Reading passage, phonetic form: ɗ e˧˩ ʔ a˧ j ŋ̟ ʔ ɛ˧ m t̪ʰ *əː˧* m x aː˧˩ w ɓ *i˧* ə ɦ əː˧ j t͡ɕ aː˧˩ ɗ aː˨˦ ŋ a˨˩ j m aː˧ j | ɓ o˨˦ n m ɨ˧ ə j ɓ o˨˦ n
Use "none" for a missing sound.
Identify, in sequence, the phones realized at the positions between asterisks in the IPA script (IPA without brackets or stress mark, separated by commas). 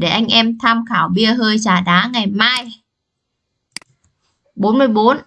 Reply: aː˧, i˧